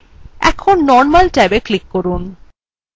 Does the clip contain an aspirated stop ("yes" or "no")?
yes